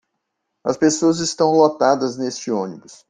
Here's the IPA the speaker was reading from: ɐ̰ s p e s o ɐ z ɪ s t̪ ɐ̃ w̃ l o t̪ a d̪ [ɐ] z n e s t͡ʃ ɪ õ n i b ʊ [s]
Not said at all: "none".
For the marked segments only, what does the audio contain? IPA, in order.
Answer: ɐ, s

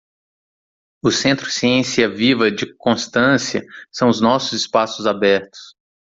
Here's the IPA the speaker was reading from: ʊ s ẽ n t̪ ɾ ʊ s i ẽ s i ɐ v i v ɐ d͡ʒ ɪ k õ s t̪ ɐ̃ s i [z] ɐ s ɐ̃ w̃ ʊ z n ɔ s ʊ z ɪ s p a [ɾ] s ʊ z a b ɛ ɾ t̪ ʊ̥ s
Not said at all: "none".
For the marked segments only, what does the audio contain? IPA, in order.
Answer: none, none

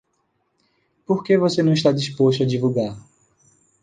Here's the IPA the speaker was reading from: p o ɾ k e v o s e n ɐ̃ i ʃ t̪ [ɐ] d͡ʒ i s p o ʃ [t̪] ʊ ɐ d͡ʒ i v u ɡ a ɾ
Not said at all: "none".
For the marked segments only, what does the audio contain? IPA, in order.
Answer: a, t̪

